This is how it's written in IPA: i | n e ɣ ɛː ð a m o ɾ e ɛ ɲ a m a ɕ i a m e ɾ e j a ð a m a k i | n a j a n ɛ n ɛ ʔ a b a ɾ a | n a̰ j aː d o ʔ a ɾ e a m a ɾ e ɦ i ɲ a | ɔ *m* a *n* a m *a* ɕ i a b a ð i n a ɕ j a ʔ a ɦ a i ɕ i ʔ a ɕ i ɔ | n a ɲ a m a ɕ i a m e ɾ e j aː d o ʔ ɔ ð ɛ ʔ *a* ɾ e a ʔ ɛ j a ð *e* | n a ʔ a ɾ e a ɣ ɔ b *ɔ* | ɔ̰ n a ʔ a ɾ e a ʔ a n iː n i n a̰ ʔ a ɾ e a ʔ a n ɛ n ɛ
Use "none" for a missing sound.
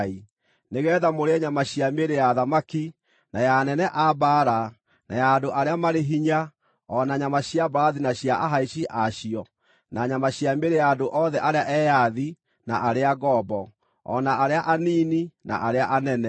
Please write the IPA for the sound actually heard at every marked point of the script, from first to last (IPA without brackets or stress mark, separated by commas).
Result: n, ɲ, a, a, i, ɔ